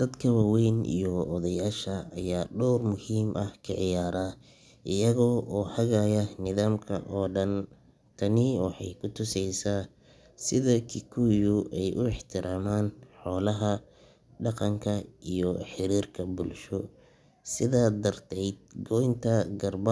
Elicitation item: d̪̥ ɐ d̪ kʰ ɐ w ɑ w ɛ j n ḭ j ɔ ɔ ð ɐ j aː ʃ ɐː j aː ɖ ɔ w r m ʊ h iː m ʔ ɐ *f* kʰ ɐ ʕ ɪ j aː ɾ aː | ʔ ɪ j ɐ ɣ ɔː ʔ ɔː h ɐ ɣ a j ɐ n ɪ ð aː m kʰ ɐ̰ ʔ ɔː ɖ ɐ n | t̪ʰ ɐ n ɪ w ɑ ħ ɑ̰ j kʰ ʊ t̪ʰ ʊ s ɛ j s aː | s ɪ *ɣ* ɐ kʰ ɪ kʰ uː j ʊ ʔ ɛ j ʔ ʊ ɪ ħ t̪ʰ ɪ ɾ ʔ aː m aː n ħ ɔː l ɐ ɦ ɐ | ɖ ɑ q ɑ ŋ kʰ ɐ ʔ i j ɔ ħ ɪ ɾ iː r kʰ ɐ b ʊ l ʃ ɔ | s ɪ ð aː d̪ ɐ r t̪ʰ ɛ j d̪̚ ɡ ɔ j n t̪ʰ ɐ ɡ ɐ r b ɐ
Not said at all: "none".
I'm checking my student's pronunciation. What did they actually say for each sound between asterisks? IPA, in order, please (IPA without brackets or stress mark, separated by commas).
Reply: h, ð